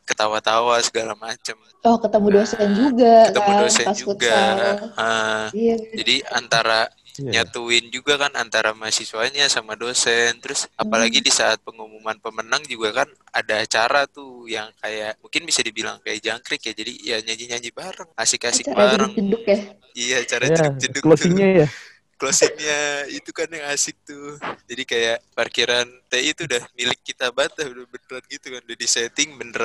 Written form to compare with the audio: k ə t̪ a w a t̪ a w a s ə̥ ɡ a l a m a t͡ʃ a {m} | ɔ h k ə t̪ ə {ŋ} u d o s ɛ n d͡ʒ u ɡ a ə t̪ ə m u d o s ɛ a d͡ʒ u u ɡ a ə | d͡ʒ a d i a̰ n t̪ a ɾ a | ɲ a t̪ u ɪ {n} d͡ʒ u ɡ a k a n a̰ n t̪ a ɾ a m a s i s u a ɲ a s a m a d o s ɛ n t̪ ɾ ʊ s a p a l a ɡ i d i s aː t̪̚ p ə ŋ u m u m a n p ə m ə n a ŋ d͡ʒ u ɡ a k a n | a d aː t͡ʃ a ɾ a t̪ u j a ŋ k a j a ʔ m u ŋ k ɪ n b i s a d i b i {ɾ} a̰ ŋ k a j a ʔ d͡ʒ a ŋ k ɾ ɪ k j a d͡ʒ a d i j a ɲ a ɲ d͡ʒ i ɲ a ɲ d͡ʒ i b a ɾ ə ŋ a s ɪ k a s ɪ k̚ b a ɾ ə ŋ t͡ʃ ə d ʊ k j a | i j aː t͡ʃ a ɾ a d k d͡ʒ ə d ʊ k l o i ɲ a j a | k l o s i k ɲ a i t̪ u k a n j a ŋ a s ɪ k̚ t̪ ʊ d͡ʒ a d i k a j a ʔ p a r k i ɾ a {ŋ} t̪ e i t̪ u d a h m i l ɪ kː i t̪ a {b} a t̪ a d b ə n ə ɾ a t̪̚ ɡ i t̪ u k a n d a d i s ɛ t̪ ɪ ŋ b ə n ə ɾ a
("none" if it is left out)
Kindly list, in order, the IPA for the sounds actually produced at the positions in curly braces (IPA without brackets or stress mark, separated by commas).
m, m, n, l, n, b